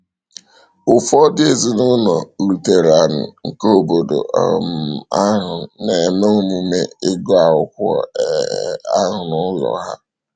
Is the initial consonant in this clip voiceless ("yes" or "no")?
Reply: yes